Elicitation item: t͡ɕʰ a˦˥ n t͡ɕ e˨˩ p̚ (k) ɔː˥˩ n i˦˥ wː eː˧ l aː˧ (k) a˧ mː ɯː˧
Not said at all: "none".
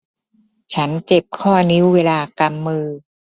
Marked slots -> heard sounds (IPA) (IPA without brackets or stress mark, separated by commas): kʰ, k